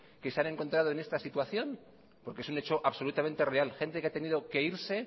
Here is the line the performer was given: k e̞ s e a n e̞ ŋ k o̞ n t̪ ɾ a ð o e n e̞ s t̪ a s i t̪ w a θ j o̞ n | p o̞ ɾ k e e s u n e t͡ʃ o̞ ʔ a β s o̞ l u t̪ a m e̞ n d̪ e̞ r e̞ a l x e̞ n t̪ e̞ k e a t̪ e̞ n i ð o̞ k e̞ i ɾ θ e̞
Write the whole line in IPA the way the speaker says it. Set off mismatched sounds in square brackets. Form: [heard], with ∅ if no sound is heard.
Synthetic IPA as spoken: k e̞ s e a n e̞ ŋ k o̞ n t̪ ɾ a ð o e n e̞ s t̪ a s i t̪ w a θ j o̞ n | p o̞ ɾ k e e s u n e t͡ʃ o̞ ʔ a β s o̞ l u t̪ a m e̞ n [t̪] e̞ r e̞ a l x e̞ n t̪ e̞ k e a t̪ e̞ n i ð o̞ k e̞ i ɾ [s] e̞